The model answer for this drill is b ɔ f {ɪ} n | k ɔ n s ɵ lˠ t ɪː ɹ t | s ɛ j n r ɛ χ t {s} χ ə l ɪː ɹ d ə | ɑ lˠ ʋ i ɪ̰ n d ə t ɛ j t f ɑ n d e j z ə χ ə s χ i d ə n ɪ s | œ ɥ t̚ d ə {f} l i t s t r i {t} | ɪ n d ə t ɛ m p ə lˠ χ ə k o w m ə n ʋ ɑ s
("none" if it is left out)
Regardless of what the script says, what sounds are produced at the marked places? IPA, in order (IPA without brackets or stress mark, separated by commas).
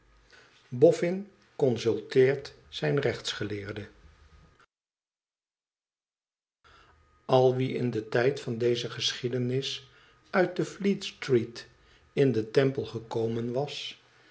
ɪ, s, f, t